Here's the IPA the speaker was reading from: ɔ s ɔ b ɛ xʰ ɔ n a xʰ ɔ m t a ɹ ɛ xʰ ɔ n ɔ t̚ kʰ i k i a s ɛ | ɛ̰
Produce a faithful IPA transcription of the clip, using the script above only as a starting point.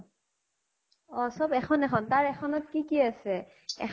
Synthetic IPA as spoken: ɔ s ɔ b ɛ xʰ ɔ n ɛ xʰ ɔ n t a ɹ ɛ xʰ ɔ n ɔ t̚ k i k i a s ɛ | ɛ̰